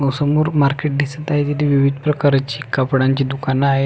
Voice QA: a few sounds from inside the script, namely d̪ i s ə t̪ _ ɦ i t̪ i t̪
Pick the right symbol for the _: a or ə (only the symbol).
a